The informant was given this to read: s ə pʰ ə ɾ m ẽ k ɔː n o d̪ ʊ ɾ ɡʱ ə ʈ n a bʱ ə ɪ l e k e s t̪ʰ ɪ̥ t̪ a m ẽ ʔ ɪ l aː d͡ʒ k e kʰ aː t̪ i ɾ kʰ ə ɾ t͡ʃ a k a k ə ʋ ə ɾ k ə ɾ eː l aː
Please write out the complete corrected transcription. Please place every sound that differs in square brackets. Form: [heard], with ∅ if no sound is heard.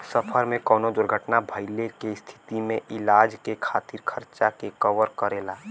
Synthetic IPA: s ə pʰ ə ɾ m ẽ k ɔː n o d̪ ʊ ɾ ɡʱ ə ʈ n a bʱ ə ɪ l e k e s t̪ʰ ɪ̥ t̪ [i] m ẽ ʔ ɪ l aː d͡ʒ k e kʰ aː t̪ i ɾ kʰ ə ɾ t͡ʃ a k [e] k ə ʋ ə ɾ k ə ɾ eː l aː